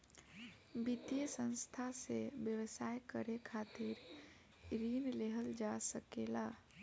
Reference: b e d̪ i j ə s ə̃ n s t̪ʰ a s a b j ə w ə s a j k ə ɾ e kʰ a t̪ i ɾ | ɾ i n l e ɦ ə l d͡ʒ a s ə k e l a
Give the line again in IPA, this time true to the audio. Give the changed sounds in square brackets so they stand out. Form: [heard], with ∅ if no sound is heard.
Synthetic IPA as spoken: b [i] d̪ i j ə s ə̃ n s t̪ʰ a s [e] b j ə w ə s a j k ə ɾ e kʰ a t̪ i ɾ | ɾ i n l e ɦ ə l d͡ʒ a s ə k e l a